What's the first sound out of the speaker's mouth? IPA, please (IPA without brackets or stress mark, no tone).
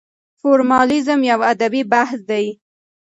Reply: f